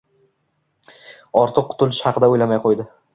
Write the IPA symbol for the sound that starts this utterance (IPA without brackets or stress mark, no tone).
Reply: ɒ